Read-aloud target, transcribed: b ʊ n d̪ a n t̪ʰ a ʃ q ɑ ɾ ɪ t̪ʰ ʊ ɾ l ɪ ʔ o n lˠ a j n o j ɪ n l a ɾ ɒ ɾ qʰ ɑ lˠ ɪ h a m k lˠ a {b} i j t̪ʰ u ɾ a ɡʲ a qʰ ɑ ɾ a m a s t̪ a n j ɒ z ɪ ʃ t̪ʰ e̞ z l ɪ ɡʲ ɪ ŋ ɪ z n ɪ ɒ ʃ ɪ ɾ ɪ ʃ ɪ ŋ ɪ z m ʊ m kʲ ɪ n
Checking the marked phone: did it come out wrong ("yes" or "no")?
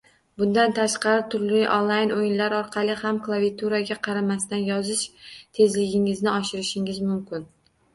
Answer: yes